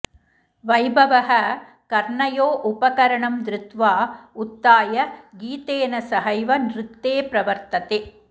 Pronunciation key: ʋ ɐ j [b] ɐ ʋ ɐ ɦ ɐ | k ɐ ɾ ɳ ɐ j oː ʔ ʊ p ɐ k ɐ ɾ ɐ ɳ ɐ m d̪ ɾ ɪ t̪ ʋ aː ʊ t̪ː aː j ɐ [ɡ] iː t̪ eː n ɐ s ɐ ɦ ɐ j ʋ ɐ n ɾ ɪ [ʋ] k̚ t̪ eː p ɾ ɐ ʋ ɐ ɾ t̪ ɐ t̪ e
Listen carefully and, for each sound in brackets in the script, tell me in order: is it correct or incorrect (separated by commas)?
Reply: correct, correct, incorrect